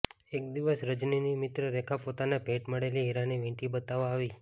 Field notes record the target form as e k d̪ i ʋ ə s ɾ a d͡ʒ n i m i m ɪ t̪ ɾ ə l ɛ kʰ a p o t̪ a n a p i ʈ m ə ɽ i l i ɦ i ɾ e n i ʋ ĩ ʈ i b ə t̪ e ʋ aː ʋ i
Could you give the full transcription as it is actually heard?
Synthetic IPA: e k d̪ i ʋ ə s ɾ ə d͡ʒ n i n i m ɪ t̪ ɾ ə ɾ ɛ kʰ a p o t̪ a n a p e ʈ m ə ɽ e l i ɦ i ɾ a n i ʋ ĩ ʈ i b ə t̪ a ʋ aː ʋ i